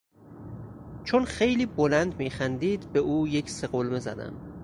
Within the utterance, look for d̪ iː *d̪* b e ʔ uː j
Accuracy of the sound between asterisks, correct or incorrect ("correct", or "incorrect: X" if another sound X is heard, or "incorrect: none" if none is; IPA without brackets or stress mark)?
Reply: correct